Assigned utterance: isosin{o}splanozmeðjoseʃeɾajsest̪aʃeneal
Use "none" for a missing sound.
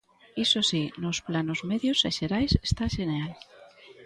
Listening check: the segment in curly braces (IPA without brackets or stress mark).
o